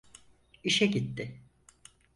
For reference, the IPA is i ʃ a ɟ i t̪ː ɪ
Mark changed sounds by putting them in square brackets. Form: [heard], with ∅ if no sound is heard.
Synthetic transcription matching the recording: i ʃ [ɛ] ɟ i t̪ː ɪ